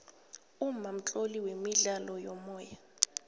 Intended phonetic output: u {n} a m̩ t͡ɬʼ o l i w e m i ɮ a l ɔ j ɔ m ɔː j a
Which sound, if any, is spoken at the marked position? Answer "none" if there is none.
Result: m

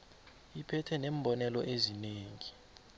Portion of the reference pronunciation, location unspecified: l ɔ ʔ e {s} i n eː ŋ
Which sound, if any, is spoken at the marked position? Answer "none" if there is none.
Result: z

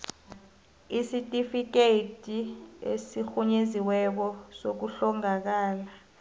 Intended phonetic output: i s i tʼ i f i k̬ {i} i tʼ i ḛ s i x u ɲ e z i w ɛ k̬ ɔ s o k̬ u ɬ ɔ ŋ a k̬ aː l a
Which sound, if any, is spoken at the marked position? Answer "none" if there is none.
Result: e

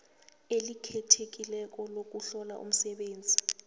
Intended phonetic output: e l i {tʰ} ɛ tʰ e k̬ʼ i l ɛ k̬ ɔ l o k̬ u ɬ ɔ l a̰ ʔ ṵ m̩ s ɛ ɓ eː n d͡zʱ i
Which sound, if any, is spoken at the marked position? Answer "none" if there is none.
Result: kʰ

